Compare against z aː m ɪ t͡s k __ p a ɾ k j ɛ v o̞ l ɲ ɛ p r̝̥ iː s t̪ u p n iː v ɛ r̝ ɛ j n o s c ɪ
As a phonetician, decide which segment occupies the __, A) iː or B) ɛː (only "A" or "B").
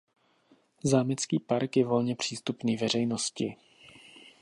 A